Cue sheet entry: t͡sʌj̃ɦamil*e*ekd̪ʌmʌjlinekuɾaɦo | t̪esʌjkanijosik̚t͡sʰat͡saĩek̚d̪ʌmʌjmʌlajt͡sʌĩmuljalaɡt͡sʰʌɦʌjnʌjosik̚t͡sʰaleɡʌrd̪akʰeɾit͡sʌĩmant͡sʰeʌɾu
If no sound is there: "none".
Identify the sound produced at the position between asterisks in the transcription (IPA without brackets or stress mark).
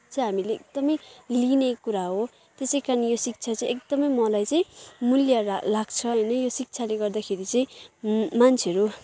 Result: e